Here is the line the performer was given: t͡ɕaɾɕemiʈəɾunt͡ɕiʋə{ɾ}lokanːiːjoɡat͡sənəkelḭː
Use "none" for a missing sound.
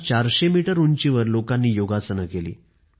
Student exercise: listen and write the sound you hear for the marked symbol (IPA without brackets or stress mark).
ɾ